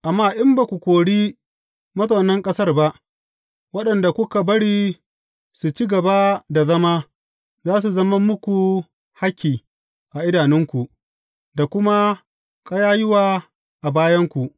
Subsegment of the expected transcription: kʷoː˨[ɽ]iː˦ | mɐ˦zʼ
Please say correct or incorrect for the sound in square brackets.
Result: correct